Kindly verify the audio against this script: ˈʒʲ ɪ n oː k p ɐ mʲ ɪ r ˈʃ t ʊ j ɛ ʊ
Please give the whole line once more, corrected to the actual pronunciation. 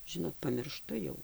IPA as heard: ˈʒʲ ɪ n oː t p ɐ mʲ ɪ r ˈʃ t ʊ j ɛ ʊ